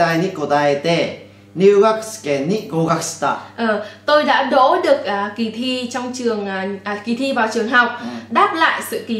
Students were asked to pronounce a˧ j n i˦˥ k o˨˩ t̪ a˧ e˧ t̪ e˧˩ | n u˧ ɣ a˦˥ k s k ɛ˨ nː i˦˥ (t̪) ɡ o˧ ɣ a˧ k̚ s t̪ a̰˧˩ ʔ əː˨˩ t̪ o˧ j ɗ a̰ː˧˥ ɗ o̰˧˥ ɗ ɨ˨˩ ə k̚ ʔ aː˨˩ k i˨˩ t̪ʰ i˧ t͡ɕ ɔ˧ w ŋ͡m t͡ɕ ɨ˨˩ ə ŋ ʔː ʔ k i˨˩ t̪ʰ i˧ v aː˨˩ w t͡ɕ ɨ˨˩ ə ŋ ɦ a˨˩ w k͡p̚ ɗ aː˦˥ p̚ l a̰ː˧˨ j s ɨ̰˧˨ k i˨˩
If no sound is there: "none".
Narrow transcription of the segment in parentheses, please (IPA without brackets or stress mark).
none